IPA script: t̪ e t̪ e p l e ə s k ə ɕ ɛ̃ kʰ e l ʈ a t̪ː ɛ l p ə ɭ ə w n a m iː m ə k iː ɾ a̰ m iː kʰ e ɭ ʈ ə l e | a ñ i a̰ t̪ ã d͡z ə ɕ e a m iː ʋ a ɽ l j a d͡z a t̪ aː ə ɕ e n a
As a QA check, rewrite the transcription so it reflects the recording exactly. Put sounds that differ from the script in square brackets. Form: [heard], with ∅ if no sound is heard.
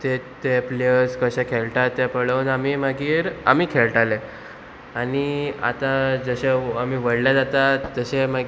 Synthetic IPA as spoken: t̪ e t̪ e p l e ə s k ə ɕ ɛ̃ kʰ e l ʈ a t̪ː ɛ [∅] p ə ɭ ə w n a m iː m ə [ɡ] iː ɾ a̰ m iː kʰ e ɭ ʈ [a] l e | a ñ i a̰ t̪ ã d͡z ə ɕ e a m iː ʋ [ə] ɽ l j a d͡z a t̪ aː ə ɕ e [m] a